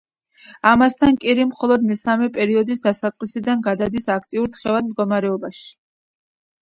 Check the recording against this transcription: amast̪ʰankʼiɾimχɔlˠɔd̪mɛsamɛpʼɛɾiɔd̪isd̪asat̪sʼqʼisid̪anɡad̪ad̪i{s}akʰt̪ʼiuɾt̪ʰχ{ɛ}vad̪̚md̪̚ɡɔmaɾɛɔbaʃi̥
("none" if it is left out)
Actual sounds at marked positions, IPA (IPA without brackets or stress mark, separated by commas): s, ɛ